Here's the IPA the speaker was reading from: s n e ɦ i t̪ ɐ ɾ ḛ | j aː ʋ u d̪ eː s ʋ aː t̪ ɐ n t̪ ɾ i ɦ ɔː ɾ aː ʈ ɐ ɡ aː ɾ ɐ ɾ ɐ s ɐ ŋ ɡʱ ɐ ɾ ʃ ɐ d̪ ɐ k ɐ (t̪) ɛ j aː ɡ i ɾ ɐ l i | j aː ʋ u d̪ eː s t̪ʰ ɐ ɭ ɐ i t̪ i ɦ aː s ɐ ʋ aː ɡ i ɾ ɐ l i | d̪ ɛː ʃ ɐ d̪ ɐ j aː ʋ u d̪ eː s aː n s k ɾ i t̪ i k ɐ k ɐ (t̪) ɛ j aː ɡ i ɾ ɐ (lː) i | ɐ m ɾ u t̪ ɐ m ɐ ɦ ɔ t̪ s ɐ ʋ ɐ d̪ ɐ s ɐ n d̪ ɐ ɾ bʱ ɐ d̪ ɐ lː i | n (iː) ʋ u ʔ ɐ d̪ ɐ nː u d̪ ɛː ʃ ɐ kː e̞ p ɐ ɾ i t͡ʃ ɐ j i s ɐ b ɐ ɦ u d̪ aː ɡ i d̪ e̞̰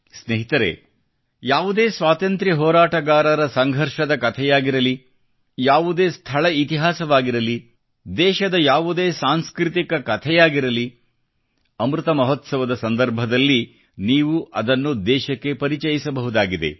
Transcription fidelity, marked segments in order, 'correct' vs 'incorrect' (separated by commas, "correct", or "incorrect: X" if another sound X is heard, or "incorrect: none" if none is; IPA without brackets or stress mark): incorrect: t̪ʰ, incorrect: t̪ʰ, incorrect: l, correct